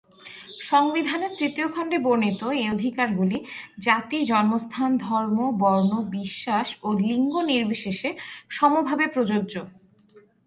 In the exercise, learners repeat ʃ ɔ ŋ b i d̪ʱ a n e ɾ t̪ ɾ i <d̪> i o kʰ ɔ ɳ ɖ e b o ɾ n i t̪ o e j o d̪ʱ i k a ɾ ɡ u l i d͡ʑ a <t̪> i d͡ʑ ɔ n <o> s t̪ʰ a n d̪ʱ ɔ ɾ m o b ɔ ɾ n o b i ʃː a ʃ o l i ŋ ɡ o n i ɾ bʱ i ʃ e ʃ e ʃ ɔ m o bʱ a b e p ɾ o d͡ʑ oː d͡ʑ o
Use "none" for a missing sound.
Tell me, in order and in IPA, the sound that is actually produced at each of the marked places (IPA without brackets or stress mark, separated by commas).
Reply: t̪, t̪, o